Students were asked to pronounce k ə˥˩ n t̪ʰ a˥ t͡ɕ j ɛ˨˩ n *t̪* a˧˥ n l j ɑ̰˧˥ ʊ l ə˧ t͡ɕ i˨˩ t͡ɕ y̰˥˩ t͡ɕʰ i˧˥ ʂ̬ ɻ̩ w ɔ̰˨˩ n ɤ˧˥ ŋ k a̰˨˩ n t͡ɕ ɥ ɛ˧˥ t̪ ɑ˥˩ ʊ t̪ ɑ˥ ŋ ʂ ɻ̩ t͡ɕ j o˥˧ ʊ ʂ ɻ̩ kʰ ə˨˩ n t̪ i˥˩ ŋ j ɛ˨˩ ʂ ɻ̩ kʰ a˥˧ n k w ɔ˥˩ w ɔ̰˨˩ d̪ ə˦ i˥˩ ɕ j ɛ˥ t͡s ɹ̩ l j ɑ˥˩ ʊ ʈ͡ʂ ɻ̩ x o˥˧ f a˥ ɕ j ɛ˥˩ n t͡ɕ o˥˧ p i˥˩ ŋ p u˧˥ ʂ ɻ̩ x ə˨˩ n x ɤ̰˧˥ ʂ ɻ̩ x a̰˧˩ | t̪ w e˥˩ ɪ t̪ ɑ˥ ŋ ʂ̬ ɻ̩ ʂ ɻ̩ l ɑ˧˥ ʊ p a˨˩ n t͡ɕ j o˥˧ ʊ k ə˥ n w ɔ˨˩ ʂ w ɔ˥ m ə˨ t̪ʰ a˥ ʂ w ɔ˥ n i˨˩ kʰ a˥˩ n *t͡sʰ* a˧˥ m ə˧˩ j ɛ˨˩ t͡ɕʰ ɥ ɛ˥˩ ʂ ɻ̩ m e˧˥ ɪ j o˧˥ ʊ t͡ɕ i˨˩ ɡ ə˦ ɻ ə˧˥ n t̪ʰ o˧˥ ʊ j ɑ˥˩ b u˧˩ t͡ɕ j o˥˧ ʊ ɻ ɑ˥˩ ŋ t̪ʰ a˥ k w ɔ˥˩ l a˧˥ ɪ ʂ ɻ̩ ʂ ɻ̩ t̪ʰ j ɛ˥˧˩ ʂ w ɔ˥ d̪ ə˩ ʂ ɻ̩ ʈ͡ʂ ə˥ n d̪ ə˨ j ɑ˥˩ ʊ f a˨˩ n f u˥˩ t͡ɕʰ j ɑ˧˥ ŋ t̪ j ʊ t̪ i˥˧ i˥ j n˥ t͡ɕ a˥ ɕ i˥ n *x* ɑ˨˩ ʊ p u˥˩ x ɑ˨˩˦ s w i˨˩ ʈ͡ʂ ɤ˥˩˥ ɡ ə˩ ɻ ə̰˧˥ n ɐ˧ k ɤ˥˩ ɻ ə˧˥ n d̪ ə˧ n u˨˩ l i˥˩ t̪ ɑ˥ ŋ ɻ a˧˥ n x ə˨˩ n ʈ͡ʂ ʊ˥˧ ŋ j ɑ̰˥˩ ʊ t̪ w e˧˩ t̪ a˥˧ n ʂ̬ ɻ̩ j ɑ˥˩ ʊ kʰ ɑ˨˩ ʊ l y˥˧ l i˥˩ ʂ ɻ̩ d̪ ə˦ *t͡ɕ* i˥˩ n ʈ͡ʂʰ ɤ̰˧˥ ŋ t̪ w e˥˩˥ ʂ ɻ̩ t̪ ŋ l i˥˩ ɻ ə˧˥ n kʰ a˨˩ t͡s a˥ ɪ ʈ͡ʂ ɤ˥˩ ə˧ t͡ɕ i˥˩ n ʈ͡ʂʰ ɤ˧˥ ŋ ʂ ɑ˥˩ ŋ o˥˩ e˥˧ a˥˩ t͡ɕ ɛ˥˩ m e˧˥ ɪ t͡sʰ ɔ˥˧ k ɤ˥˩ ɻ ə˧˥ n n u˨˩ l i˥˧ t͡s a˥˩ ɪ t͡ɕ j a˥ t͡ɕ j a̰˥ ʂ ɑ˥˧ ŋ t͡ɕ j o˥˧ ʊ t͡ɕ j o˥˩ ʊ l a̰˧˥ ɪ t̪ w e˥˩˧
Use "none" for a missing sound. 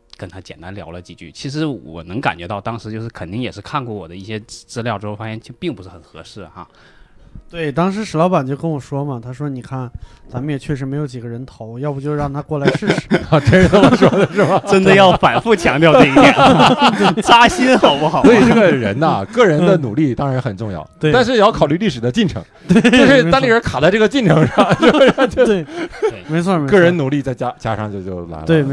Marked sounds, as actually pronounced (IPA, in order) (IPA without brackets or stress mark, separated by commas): t̪, t͡s, x, t͡ɕ